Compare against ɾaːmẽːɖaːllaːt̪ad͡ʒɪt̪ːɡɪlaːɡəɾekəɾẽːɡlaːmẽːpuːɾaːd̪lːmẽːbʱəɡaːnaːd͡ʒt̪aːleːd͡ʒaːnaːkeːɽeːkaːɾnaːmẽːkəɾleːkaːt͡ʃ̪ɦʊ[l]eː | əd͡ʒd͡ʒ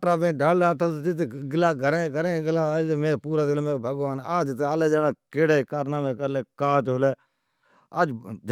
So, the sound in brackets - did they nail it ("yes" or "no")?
yes